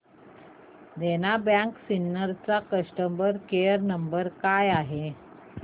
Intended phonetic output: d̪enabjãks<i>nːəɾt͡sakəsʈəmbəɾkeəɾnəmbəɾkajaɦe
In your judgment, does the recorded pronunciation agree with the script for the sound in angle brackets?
yes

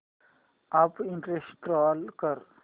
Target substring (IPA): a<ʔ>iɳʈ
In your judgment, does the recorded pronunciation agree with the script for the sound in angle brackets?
no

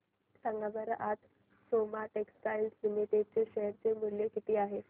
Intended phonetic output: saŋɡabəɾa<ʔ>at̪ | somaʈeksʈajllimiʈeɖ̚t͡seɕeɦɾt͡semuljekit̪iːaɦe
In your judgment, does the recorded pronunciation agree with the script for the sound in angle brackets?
yes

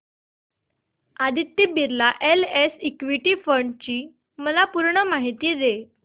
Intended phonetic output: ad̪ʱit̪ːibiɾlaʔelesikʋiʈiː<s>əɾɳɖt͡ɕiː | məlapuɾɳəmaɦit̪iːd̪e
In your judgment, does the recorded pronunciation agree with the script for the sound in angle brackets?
no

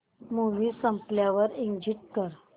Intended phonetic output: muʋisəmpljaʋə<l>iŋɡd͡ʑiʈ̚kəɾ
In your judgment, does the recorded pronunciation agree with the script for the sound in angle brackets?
no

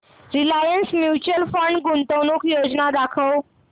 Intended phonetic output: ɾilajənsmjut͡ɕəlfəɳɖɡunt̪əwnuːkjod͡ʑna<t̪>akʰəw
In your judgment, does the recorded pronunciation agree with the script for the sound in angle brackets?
no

